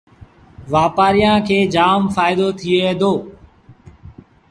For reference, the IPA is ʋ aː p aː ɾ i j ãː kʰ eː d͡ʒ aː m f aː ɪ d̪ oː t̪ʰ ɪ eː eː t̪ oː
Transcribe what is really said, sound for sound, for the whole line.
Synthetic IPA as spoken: ʋ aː p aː ɾ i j ãː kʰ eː d͡ʒ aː m f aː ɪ d̪ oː t̪ʰ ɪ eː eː d̪ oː